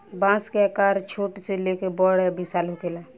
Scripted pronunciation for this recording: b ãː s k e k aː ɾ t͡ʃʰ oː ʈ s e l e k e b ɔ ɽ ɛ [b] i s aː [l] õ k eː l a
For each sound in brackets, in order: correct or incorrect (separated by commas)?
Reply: correct, correct